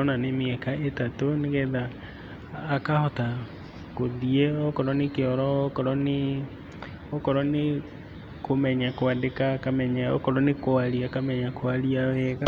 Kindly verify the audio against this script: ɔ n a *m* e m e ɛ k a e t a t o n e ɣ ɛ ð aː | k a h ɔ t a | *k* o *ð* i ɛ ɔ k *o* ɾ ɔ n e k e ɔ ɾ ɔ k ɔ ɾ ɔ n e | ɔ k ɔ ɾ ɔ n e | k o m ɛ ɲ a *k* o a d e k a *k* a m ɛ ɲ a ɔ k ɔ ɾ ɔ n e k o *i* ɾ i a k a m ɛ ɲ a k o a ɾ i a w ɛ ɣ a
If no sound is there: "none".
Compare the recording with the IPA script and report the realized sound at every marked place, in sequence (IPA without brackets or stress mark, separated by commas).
n, k, ð, ɔ, k, k, a